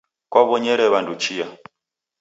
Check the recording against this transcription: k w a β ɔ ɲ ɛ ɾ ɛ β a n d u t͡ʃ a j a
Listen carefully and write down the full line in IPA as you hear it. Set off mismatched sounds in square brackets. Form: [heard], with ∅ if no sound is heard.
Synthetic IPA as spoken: k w a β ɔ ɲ ɛ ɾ ɛ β a n d u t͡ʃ [i] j a